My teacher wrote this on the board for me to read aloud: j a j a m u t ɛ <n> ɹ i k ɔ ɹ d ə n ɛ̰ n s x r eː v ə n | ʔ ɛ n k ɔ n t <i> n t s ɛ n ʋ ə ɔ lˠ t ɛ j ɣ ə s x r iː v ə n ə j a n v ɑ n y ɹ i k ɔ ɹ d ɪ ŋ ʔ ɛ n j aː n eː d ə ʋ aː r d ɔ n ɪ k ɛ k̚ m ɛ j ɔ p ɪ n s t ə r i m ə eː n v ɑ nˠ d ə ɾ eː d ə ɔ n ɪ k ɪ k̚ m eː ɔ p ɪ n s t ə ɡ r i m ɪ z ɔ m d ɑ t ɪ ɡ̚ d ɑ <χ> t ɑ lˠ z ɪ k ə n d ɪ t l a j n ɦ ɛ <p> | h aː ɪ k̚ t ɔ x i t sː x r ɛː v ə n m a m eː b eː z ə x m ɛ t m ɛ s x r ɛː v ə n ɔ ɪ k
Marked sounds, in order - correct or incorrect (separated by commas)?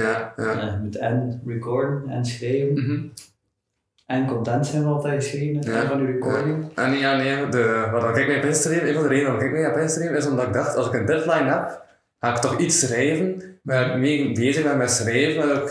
correct, incorrect, incorrect, correct